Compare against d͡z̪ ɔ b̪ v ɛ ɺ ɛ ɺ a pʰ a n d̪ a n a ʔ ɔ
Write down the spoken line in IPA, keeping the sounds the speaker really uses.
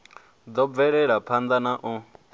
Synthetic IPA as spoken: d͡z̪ ɔ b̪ v ɛ ɺ ɛ ɺ a pʰ a n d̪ a n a ʔ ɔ